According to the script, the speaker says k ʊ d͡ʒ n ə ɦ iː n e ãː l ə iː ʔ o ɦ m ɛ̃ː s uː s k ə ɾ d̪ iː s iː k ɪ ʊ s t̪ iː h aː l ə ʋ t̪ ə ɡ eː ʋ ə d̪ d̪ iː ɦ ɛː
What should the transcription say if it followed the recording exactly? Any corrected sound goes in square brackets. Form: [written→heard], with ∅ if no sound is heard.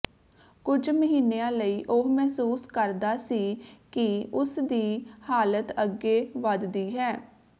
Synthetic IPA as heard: k ʊ d͡ʒ [n→m] ə ɦ iː n e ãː l ə iː ʔ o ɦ m [ɛ̃ː→ɛː] s uː s k ə ɾ d̪ [iː→aː] s iː k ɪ ʊ s [t̪→d̪] iː h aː l ə [ʋ→∅] t̪ ə ɡ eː ʋ ə d̪ d̪ iː ɦ ɛː